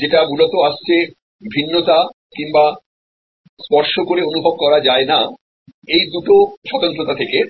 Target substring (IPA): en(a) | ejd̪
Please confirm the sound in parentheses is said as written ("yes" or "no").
yes